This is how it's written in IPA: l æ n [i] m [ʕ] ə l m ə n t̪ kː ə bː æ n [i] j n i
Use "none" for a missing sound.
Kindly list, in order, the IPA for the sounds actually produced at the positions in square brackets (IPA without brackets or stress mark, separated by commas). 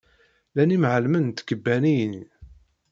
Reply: i, ʕ, i